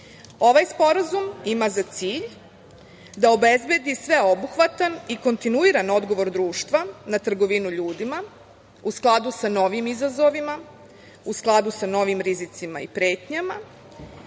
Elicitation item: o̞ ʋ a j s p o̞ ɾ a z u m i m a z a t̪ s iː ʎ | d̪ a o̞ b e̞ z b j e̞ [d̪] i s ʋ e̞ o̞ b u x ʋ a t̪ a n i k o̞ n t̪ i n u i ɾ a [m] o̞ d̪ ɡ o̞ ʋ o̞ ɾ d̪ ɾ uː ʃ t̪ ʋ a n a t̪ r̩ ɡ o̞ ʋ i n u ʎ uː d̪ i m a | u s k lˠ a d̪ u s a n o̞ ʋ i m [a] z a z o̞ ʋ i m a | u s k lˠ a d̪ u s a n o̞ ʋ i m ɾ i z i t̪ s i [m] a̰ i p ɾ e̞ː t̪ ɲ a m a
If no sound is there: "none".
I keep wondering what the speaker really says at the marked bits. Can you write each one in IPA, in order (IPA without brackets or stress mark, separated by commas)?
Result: d̪, n, i, m